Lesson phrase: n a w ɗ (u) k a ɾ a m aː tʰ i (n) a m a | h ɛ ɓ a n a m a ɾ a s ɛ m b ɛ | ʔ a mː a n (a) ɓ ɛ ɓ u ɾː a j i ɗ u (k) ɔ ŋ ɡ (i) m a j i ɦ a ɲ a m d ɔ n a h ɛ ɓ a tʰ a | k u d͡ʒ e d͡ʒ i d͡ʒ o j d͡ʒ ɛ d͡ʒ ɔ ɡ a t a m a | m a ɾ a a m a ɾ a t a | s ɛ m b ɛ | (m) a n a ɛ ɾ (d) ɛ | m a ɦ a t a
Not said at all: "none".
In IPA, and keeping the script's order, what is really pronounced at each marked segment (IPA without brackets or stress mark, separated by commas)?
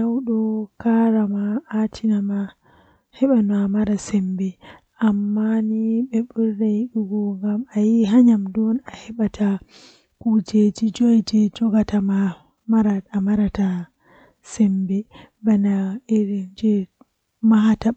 ɔ, n, i, ɡ, a, b, d͡ʒ